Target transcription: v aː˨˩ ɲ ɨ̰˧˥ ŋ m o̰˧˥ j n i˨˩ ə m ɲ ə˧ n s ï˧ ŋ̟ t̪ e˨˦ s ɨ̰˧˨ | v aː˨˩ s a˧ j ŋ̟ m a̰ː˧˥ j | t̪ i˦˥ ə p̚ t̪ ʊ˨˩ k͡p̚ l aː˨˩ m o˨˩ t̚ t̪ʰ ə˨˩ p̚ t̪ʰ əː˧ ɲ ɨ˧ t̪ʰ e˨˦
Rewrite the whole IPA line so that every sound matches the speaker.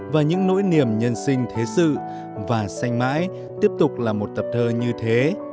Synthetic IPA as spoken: v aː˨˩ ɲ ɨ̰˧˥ ŋ n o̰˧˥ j n i˨˩ ə m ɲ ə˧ n s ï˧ ŋ̟ t̪ʰ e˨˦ s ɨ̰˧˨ | v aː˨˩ s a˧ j ŋ̟ m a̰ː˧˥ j | t̪ i˦˥ ə p̚ t̪ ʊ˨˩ k͡p̚ l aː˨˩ m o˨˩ t̚ t̪ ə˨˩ p̚ t̪ʰ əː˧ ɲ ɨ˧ t̪ʰ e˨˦